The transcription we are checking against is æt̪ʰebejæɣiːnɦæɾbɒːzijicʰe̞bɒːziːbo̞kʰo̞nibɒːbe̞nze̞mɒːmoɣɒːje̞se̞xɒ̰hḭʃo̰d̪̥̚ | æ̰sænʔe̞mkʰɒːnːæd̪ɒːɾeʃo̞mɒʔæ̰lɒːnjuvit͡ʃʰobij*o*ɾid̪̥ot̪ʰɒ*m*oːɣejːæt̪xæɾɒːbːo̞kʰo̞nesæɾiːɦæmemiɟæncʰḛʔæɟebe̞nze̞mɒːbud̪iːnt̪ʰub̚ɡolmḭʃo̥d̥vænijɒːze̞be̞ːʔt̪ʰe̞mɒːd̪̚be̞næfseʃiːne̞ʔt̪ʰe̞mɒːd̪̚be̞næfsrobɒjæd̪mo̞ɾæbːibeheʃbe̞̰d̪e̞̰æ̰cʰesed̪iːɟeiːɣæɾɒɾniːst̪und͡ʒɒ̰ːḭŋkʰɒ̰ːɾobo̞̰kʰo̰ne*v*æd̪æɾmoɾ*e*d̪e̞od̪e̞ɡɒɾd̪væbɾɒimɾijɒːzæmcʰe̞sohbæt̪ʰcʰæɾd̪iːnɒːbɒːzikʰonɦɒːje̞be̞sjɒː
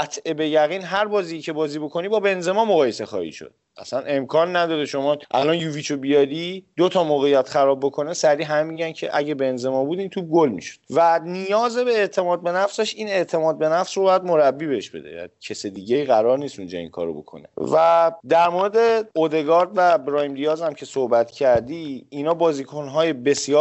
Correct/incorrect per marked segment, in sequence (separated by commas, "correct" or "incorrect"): incorrect, correct, correct, correct